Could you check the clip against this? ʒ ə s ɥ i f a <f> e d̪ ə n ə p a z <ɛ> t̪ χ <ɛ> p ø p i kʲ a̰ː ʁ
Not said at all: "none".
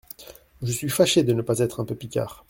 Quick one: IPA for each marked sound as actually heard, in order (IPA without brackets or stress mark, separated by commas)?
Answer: ʃ, ɛ, ɛ̃